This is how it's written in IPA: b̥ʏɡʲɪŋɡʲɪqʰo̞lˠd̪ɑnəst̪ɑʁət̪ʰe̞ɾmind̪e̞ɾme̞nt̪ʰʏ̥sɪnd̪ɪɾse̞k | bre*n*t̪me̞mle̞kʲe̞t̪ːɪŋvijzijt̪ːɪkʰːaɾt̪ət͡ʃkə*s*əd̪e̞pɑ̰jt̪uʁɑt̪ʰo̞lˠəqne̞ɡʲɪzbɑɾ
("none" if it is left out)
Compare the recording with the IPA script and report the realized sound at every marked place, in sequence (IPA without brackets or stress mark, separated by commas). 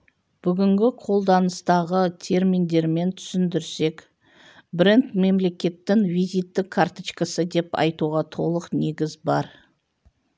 n, s